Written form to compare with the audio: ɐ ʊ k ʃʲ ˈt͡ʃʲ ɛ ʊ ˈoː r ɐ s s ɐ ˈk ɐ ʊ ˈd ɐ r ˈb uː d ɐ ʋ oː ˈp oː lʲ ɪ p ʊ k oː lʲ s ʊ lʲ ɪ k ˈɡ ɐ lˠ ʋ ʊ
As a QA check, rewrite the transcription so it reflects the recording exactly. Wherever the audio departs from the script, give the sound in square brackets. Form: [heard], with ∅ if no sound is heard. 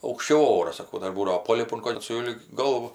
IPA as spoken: ɐ ʊ k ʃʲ ˈt͡ʃʲ ɛ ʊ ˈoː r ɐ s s ɐ ˈk ɐ ʊ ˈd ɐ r ˈb uː d ɐ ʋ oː ˈp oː lʲ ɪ p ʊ k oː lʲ s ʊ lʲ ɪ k ˈɡ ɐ lˠ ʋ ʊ